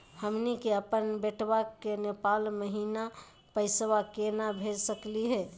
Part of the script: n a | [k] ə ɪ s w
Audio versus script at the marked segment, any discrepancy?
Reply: yes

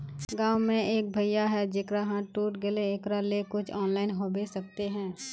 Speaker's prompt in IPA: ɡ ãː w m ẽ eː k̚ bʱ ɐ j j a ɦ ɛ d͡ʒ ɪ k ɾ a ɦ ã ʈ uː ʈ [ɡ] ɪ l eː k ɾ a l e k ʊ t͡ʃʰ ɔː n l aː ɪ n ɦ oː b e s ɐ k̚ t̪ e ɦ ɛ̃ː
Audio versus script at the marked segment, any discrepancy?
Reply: no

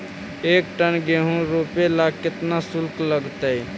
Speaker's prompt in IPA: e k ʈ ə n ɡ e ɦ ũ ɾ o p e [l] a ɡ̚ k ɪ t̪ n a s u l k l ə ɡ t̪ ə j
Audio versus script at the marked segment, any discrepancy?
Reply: no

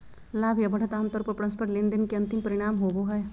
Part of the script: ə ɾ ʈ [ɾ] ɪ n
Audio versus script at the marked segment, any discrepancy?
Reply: yes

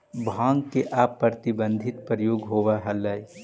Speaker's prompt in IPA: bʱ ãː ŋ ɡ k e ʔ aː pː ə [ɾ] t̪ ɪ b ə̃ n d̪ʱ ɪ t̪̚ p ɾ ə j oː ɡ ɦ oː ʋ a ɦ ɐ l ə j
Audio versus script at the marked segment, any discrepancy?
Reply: no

